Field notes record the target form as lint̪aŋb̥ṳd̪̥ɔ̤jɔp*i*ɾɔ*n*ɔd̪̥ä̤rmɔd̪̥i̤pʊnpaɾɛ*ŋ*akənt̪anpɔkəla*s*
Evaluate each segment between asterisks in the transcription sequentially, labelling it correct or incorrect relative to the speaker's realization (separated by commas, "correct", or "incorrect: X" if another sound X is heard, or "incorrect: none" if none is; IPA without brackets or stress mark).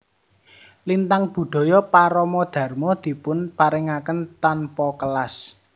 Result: incorrect: a, incorrect: m, correct, correct